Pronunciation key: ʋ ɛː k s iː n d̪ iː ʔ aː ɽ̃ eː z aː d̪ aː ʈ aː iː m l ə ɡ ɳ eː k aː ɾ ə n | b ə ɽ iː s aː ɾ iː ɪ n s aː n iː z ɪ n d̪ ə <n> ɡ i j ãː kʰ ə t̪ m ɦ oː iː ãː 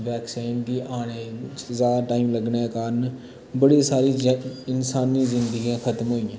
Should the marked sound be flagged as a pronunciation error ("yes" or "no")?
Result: yes